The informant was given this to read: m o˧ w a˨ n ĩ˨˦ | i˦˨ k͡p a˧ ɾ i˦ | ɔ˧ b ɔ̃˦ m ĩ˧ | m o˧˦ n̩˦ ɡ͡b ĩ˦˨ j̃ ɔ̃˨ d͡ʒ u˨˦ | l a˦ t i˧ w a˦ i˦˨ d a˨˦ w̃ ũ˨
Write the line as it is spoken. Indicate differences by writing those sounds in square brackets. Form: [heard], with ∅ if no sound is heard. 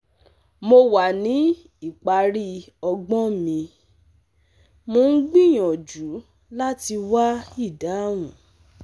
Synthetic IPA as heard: m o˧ w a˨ n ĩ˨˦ | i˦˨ k͡p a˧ ɾ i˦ | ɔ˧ [ɡ͡b] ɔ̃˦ m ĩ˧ | m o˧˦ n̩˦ ɡ͡b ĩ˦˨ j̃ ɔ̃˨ d͡ʒ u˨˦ | l a˦ t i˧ w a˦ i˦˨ d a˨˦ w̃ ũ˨